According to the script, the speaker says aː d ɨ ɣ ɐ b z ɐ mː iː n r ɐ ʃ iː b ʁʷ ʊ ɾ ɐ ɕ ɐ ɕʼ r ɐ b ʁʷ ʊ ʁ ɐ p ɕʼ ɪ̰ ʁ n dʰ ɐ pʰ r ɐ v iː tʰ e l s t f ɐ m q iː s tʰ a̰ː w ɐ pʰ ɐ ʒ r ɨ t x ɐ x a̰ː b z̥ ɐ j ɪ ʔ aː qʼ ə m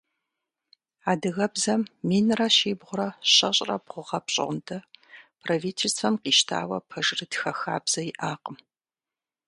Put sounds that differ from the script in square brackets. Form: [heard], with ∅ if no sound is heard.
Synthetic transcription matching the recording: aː d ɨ ɣ ɐ b z ɐ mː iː n r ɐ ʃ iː b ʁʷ ʊ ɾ ɐ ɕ ɐ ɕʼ r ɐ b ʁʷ ʊ ʁ ɐ p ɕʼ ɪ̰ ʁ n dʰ ɐ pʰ r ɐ v iː tʰ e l s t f ɐ m q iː [ʃ] tʰ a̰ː w ɐ pʰ ɐ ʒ r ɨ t x ɐ x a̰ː b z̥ ɐ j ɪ ʔ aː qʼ ə m